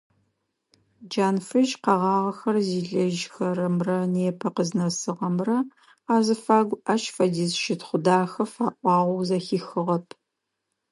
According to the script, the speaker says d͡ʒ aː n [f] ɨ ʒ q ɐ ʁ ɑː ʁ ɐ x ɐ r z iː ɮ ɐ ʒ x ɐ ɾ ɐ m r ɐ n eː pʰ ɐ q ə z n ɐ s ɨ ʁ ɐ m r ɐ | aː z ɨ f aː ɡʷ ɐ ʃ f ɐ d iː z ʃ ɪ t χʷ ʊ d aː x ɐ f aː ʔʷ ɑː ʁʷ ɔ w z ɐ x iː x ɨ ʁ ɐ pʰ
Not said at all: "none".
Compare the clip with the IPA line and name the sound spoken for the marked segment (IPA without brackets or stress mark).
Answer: f